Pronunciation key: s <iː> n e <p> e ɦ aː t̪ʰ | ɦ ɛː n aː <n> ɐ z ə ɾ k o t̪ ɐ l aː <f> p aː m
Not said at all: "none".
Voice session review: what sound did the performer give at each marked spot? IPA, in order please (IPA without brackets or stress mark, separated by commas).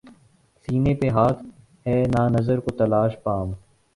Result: iː, p, n, ʃ